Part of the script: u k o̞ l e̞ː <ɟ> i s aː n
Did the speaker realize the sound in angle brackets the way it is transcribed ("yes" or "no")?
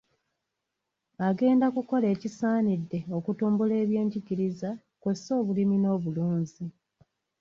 no